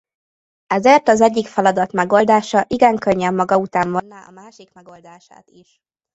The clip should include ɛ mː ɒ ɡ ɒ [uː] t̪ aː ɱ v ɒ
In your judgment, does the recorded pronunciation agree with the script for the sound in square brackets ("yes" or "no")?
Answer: no